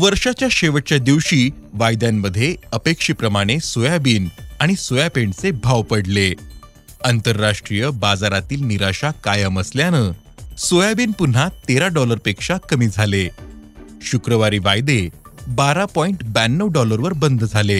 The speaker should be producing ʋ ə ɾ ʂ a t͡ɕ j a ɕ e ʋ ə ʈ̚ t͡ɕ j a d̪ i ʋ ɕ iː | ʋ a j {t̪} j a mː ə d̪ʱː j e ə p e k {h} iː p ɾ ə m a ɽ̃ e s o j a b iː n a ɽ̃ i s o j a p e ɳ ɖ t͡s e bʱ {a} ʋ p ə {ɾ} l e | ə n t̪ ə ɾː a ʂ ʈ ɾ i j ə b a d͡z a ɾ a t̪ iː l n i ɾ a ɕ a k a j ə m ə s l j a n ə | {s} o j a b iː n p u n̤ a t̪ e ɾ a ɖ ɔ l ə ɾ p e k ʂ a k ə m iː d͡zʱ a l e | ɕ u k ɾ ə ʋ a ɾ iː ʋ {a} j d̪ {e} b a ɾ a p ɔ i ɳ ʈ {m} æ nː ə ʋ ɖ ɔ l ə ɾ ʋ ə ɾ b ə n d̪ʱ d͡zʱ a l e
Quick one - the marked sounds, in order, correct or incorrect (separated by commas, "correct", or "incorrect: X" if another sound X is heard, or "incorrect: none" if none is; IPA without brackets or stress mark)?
incorrect: d̪, incorrect: ʂ, correct, incorrect: ɽ, correct, correct, correct, incorrect: b